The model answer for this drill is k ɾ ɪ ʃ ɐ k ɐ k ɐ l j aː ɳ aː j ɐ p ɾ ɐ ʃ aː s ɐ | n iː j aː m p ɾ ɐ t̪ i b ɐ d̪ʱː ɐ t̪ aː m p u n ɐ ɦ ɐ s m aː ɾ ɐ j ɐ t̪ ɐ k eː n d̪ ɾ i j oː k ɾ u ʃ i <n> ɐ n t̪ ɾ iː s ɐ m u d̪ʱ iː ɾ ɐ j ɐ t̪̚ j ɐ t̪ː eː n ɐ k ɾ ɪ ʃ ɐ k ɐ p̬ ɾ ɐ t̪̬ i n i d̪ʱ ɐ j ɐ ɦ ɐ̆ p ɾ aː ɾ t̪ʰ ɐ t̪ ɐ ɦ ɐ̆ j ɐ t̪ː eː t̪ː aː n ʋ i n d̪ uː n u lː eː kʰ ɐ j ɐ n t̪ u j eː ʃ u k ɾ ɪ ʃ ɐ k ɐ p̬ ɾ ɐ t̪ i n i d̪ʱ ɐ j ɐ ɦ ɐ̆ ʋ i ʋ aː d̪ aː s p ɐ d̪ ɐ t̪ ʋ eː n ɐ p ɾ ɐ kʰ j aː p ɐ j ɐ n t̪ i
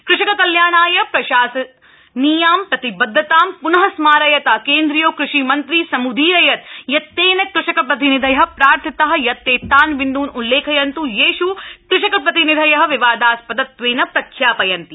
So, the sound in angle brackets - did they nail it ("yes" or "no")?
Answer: no